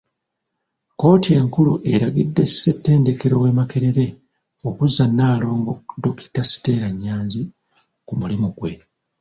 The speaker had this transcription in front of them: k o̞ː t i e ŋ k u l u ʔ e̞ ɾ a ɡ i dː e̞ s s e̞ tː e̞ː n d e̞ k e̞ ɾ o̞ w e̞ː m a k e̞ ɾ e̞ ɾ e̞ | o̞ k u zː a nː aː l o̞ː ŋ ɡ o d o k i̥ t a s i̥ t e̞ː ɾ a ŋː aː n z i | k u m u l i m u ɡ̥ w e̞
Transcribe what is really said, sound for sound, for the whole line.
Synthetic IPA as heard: k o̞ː t i e ŋ k u l u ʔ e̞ ɾ a ɡ i dː e̞ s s e̞ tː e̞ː n d e̞ k e̞ ɾ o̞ w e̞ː m a k e̞ ɾ e̞ ɾ e̞ | o̞ k u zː a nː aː l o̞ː ŋ ɡ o d o k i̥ t a s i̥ t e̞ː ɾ a ɲː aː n z i | k u m u l i m u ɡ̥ w e̞

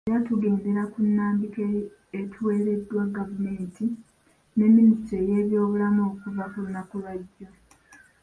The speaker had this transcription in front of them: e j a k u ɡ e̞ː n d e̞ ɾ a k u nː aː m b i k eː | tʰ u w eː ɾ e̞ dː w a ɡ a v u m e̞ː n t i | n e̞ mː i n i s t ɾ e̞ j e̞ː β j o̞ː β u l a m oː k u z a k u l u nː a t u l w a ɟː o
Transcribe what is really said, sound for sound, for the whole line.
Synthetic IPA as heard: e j a t u ɡ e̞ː n d e̞ ɾ a k u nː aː m b i k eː | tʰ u w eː ɾ e̞ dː w a ɡ a v u m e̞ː n t i | n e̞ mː i n i s t ɾ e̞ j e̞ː β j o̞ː β u l a m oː k u v a k u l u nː a k u l w a ɟː o

